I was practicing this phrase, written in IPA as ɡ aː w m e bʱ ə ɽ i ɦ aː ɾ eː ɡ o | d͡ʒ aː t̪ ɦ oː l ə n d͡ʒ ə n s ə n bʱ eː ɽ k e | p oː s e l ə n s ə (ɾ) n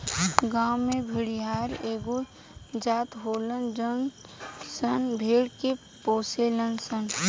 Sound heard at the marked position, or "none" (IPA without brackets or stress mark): none